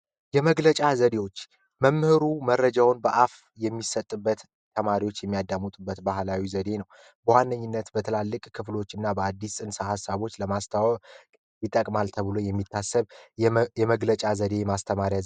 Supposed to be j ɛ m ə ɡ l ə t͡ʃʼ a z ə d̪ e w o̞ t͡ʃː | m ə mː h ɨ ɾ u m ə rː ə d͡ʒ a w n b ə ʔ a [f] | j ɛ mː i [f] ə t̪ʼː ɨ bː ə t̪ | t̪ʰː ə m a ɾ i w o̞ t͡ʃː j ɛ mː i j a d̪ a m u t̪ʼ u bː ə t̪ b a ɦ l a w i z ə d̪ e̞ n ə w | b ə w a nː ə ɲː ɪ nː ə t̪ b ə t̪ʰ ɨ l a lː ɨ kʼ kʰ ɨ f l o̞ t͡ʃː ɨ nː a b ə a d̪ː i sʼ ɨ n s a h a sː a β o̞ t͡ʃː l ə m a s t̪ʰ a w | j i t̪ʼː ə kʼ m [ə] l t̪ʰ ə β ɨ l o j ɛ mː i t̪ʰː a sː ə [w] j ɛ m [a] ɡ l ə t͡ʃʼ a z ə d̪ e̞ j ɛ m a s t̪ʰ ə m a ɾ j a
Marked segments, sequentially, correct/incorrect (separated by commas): correct, incorrect, incorrect, incorrect, incorrect